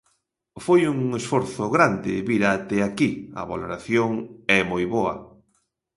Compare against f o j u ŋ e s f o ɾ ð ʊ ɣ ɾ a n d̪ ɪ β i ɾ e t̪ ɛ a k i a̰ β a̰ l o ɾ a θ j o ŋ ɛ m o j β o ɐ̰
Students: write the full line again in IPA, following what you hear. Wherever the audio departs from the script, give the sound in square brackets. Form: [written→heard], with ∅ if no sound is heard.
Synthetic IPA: f o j u ŋ e s f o ɾ [ð→θ] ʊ ɣ ɾ a n d̪ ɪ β i ɾ [e→a] t̪ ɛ a k i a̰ β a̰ l o ɾ a θ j o ŋ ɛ m o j β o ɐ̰